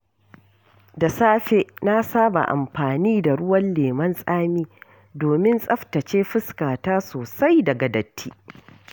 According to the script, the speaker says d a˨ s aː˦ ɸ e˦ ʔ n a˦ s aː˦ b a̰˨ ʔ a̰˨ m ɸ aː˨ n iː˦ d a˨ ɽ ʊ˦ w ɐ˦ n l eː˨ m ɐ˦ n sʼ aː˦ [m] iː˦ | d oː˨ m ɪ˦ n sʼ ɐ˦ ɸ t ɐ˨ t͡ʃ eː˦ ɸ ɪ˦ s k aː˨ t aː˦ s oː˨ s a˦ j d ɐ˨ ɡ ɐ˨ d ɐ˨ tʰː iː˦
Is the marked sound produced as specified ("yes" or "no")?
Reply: yes